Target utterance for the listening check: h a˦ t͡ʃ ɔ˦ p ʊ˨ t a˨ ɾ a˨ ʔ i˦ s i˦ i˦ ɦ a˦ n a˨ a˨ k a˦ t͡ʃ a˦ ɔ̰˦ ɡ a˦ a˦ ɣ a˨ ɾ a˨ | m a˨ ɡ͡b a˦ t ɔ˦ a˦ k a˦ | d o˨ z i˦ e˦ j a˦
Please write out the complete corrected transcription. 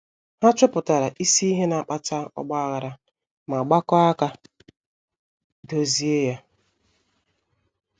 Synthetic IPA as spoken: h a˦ t͡ʃ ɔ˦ p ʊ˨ t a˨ ɾ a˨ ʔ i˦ s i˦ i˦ ɦ e˦ n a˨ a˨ k͡p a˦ t͡ʃ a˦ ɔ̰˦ ɡ͡b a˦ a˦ ɣ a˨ ɾ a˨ | m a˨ ɡ͡b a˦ k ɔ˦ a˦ k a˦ | d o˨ z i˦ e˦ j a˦

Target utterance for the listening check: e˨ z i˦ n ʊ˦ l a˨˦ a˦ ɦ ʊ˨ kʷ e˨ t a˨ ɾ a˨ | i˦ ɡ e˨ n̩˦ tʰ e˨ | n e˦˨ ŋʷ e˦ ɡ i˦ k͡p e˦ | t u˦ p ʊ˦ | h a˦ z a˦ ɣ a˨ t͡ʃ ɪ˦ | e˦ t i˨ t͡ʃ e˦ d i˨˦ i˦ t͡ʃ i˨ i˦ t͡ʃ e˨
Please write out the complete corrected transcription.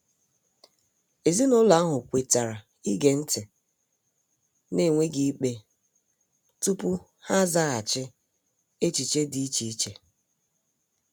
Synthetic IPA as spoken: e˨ z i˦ n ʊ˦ l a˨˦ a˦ ɦ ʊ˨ kʷ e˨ t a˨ ɾ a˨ | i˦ ɡ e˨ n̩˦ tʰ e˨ | n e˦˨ ŋʷ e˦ ɡ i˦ k͡p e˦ | t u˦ p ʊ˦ | h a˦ z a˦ ɣ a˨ t͡ʃ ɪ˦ | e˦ t͡ʃ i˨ t͡ʃ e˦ d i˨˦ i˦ t͡ʃ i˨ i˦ t͡ʃ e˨

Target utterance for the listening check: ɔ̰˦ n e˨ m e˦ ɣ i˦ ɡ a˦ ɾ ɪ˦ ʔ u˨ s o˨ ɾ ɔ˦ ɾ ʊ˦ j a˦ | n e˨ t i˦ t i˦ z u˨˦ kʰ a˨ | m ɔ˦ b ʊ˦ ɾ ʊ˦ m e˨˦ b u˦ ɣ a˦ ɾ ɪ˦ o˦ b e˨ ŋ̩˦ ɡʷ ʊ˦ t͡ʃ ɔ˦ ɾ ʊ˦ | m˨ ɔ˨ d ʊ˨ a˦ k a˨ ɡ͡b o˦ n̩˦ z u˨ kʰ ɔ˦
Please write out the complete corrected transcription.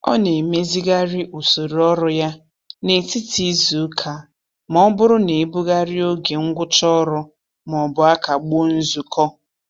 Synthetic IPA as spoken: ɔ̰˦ n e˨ m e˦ z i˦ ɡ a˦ ɾ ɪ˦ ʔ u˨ s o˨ ɾ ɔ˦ ɾ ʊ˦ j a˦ | n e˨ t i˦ t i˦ z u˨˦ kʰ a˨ | m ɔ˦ b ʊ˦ ɾ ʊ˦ n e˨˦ b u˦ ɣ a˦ ɾ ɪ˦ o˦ ɡ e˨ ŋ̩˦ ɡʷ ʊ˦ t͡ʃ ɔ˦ ɾ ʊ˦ | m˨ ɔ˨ b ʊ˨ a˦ k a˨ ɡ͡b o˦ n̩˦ z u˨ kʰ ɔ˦

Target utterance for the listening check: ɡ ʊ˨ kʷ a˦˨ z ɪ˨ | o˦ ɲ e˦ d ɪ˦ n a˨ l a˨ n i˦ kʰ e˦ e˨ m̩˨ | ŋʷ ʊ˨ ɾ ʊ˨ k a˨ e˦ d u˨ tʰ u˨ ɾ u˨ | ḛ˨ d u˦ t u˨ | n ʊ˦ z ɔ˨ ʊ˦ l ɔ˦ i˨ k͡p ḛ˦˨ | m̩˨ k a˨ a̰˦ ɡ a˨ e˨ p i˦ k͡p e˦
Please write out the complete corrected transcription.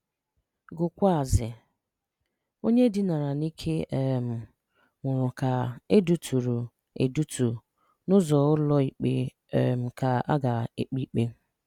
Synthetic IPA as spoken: ɡ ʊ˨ kʷ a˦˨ z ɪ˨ | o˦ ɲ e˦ d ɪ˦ n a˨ ɾ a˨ n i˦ kʰ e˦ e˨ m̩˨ | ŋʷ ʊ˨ ɾ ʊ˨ k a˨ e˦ d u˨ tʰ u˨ ɾ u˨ | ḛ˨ d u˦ t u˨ | n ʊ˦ z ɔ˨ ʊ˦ l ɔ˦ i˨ k͡p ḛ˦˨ | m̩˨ k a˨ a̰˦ ɡ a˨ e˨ k͡p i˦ k͡p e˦

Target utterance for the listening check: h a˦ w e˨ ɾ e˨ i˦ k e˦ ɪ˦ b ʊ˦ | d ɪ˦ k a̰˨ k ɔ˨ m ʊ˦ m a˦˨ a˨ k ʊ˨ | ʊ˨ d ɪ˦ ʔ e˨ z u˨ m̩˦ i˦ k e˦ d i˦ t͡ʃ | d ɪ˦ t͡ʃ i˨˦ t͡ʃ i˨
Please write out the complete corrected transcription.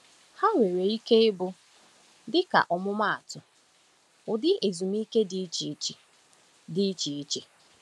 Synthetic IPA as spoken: h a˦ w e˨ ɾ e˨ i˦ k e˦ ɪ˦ b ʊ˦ | d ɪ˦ k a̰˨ ʔ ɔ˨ m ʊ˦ m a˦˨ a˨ t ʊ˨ | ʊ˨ d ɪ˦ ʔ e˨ z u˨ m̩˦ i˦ k e˦ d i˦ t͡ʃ | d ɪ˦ t͡ʃ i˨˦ t͡ʃ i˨

